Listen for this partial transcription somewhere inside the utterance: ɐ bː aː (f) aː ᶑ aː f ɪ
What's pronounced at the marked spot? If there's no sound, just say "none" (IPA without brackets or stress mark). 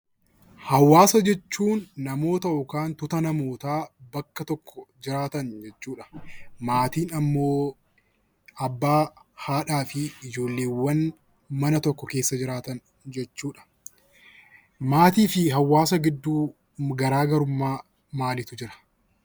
h